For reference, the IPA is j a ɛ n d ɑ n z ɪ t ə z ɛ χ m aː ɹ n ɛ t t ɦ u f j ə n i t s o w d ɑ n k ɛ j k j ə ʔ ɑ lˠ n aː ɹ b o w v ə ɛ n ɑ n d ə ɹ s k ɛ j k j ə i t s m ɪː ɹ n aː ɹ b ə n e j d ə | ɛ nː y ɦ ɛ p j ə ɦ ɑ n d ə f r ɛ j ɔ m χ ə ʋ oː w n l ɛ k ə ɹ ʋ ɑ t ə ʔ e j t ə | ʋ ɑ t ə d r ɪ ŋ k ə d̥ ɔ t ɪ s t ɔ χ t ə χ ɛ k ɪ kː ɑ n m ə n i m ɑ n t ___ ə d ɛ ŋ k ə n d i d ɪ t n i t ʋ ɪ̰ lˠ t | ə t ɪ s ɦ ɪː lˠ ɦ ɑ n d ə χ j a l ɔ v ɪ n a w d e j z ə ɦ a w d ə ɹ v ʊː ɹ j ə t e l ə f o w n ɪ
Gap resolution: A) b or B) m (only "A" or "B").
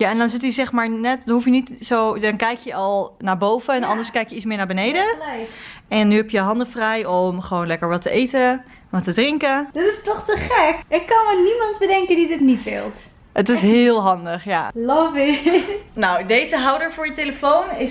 A